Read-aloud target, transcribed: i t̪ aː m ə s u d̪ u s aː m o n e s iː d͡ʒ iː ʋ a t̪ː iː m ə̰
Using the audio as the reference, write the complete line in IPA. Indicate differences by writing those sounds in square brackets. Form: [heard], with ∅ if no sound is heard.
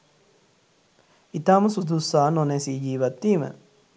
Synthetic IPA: i t̪ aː m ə s u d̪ u s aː [n] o n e s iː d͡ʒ iː ʋ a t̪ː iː m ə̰